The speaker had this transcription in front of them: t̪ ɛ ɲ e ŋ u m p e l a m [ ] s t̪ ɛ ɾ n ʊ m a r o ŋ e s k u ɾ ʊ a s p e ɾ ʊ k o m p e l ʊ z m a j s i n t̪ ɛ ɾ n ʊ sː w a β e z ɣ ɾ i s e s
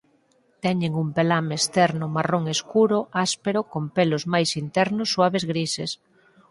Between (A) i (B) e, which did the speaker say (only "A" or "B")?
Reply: B